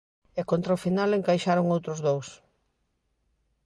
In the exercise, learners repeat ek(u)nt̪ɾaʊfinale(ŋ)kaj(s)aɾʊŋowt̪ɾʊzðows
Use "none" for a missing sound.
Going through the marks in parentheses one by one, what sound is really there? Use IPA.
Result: o, ŋ, ʃ

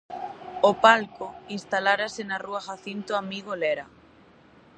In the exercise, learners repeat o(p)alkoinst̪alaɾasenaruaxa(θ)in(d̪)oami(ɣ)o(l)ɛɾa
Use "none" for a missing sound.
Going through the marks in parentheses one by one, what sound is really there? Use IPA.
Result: p, θ, t̪, ɣ, l

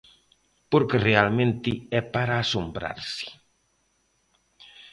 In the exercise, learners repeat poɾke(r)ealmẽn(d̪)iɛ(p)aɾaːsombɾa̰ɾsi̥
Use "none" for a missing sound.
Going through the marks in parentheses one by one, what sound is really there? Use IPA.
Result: r, t̪, p

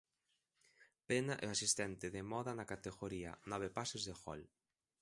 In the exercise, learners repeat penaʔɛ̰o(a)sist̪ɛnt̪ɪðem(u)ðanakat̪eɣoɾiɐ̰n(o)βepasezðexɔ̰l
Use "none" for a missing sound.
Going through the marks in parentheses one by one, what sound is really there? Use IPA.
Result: a, ɔ, ɔ

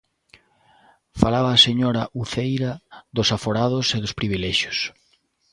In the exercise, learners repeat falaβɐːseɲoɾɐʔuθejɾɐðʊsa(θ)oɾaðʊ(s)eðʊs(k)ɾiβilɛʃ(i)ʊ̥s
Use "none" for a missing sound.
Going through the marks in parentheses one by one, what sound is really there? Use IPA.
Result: f, s, p, j

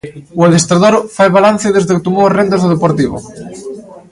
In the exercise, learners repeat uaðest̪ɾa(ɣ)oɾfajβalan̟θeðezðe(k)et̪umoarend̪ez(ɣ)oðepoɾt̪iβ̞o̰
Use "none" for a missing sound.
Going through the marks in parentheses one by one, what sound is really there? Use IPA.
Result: ð, k, ð

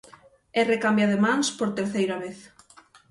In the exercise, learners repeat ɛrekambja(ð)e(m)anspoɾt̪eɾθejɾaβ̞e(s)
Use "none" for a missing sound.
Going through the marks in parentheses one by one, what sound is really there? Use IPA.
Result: ð, m, θ

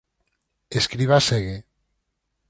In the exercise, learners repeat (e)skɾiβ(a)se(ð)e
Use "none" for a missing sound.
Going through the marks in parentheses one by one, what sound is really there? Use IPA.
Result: e, a, ɣ

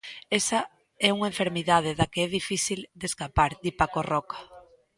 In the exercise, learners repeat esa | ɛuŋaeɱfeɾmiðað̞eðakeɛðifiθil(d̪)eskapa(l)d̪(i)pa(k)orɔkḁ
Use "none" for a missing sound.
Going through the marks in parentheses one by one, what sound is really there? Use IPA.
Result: d̪, ɾ, i, k

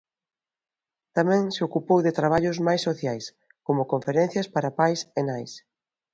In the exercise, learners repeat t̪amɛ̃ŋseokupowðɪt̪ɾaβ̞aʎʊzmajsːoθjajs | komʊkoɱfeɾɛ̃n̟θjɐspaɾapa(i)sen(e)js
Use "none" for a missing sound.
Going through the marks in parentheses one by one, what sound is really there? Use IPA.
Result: j, a

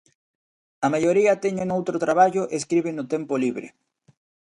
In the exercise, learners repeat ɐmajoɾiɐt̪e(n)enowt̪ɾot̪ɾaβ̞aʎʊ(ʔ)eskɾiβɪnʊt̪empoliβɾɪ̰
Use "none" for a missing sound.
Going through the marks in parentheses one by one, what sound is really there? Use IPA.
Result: ɲ, ʔ

